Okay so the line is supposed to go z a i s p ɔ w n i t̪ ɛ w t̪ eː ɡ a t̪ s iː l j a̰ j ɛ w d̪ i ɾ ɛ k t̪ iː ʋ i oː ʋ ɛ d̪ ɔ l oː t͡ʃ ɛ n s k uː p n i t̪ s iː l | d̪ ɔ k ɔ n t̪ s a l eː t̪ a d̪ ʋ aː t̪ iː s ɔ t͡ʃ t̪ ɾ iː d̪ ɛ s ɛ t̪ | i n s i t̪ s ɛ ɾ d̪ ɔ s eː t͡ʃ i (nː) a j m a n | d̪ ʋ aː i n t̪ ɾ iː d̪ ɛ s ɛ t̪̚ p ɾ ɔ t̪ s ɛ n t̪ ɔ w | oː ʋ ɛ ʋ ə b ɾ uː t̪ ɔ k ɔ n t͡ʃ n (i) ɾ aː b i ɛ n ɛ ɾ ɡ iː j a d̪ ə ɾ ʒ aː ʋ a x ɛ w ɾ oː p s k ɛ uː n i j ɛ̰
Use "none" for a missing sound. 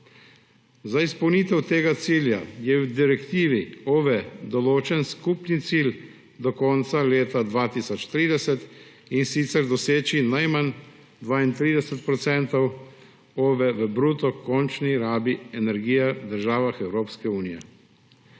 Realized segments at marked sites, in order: n, i

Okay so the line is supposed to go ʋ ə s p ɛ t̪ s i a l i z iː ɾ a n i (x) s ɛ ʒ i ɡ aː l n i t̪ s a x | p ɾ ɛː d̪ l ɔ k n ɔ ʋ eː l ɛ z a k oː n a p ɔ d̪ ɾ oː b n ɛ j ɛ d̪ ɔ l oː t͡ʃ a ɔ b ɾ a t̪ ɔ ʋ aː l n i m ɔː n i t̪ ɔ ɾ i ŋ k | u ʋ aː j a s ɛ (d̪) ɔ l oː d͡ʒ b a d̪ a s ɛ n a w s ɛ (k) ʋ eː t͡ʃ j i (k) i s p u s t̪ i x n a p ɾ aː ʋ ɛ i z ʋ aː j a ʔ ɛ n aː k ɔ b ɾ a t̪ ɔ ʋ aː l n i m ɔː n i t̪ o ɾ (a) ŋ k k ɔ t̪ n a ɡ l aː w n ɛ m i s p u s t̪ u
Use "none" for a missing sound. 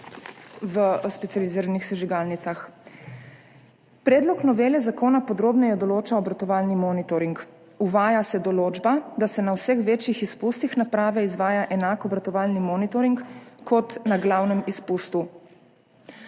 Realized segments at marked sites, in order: x, d̪, x, x, i

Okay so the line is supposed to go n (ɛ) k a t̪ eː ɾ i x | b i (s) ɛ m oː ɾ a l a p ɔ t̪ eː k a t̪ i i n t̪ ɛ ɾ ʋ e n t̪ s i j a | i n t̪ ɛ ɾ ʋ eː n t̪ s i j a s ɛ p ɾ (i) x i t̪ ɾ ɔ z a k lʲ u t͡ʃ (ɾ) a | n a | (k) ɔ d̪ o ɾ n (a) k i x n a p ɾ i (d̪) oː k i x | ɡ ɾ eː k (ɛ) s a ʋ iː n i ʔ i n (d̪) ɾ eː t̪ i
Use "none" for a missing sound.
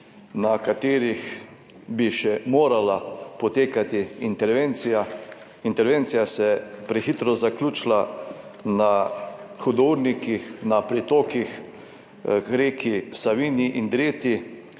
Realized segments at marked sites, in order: a, ʃ, ɛ, l, x, i, t̪, i, d̪

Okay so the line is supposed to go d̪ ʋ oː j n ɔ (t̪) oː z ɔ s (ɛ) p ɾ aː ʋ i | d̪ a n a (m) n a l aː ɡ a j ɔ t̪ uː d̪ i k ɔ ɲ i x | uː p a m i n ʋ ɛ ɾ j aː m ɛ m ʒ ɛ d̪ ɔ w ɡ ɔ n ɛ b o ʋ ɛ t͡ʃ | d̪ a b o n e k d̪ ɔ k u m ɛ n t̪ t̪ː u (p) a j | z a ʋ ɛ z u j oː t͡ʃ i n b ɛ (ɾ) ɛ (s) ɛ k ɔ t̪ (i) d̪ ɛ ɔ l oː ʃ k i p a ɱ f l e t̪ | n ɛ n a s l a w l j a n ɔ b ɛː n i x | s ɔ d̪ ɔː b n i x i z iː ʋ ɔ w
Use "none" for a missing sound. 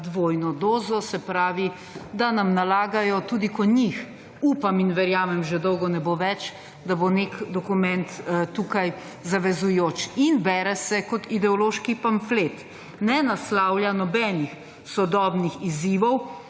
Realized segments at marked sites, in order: d̪, ɛ, m, k, ɾ, s, i

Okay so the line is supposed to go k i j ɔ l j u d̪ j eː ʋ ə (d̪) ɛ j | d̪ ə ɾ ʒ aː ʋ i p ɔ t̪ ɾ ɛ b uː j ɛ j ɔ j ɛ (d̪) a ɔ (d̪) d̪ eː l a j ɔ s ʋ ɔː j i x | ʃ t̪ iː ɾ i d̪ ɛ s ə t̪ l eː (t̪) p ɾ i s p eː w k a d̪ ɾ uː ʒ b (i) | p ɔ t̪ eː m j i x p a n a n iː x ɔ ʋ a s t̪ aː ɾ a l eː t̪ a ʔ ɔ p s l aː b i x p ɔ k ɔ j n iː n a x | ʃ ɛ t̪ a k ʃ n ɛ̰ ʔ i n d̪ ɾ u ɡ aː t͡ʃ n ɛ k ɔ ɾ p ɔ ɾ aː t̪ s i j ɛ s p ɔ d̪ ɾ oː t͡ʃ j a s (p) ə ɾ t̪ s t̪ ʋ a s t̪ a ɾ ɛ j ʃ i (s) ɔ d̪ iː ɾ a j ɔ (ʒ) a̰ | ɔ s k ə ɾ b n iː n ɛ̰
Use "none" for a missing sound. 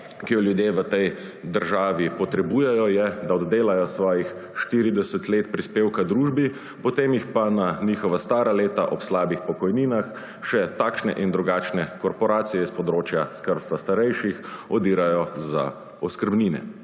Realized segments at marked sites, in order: t̪, d̪, d̪, t̪, i, k, x, z

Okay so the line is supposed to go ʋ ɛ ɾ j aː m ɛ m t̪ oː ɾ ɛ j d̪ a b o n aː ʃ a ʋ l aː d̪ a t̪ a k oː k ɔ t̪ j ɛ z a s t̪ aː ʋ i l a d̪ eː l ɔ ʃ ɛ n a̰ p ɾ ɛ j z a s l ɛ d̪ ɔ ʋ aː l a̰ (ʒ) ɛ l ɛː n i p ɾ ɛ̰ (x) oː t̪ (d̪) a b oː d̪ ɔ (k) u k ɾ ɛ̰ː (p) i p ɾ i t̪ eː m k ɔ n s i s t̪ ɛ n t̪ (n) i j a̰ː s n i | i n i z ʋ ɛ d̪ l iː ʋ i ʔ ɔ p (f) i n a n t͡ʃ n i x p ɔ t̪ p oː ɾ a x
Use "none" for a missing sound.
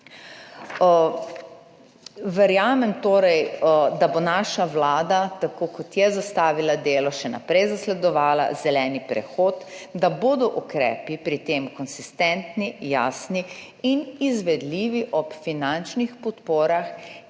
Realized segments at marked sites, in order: z, x, d̪, ʔ, p, n, f

